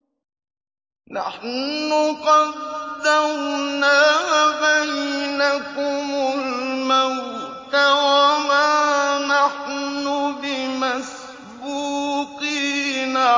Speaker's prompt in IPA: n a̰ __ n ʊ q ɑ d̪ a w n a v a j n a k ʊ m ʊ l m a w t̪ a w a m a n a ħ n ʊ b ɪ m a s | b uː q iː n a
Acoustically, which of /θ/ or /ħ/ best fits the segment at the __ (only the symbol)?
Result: ħ